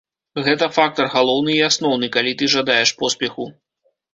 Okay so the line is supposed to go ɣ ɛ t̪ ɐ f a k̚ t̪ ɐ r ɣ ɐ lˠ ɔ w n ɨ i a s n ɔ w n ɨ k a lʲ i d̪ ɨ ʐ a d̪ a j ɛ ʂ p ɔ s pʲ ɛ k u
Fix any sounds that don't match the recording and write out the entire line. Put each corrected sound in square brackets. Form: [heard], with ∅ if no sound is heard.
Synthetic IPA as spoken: ɣ ɛ t̪ ɐ f a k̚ t̪ ɐ r ɣ [a] lˠ ɔ w n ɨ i a s n ɔ w n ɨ k a lʲ i [t̪] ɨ ʐ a d̪ a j ɛ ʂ p ɔ s pʲ ɛ [x] u